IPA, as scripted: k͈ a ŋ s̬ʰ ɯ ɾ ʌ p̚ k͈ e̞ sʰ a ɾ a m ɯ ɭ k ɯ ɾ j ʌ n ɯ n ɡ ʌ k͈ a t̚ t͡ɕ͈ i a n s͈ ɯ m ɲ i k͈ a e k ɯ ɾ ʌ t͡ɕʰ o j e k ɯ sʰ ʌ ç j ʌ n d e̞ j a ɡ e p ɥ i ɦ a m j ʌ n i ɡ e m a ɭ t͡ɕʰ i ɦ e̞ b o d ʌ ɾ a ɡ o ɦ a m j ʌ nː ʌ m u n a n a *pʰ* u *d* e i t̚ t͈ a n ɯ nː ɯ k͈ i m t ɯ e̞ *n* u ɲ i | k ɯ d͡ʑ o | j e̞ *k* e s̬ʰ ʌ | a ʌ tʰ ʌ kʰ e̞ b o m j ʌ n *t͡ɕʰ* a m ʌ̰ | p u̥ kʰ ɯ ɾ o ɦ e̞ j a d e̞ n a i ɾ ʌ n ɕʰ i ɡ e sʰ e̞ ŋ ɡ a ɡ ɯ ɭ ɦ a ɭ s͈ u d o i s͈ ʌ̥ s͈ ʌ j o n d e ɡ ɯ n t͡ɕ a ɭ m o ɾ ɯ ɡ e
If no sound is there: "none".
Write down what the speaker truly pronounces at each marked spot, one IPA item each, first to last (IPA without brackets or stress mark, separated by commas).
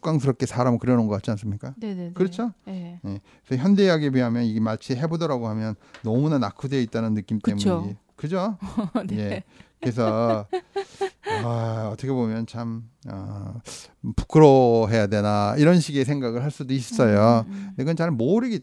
kʰ, d, m, k, t͡ɕʰ